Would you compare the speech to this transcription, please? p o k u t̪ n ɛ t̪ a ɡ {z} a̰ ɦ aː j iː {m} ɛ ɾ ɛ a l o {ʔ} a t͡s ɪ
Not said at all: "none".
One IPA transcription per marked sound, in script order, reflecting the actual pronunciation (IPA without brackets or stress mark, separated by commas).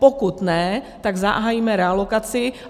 z, m, k